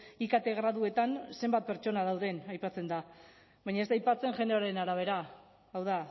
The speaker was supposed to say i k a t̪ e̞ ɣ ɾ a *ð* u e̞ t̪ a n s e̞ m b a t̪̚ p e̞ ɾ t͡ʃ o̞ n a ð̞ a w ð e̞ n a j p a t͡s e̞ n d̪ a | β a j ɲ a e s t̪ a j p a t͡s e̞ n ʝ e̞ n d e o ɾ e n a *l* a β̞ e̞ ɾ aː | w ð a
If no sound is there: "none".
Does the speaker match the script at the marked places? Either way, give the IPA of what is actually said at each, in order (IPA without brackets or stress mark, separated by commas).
ð, ɾ